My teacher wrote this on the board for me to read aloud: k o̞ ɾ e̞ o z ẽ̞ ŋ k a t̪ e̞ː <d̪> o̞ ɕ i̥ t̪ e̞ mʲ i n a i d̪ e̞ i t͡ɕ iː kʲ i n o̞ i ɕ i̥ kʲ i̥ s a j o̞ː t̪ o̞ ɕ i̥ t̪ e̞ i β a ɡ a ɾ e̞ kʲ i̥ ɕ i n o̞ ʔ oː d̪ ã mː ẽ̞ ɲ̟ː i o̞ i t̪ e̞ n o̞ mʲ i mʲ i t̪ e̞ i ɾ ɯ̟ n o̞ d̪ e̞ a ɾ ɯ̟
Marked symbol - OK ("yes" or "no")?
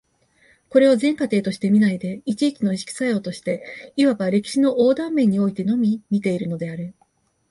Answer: no